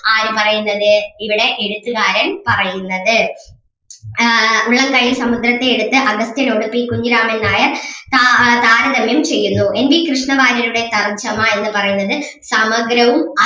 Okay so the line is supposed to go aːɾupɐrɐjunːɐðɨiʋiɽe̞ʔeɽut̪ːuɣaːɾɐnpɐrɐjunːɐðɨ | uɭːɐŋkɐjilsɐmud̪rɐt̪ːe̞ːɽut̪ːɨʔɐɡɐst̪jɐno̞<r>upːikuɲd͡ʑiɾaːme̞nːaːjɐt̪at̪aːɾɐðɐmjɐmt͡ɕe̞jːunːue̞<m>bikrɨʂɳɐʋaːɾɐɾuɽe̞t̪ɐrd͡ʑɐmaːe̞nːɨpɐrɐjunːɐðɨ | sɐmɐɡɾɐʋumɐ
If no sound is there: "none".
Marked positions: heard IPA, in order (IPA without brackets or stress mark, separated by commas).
ɽ, n